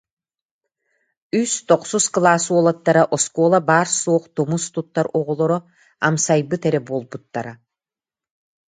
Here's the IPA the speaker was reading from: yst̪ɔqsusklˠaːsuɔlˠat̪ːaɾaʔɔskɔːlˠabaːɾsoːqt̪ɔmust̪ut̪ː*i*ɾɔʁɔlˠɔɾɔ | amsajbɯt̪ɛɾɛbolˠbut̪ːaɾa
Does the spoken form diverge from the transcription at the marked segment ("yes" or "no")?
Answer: yes